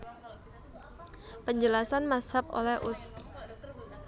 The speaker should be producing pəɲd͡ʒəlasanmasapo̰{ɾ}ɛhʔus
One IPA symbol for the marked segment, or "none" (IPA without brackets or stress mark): l